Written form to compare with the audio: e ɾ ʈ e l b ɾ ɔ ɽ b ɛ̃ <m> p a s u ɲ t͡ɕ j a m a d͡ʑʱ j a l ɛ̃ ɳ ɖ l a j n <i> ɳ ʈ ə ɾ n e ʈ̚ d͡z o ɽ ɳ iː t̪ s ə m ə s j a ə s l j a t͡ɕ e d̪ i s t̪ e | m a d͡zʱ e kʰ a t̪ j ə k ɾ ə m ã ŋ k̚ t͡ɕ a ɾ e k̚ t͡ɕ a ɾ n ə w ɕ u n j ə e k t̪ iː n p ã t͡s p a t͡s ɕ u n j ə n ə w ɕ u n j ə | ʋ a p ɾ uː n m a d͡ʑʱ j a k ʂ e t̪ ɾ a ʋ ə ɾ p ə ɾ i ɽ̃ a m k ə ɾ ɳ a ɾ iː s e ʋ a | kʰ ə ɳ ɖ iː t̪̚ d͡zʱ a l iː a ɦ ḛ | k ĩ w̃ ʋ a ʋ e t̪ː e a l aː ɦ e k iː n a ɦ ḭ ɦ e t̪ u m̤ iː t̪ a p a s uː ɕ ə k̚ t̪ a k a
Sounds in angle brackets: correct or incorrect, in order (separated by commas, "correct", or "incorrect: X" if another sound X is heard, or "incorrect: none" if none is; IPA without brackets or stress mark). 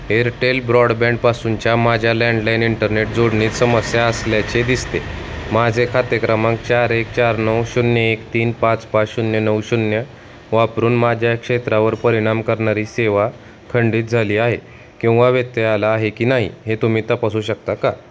incorrect: ɳ, correct